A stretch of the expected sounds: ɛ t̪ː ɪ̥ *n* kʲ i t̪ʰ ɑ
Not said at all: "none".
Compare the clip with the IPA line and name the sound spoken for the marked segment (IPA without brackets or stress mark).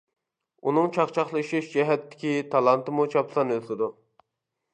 none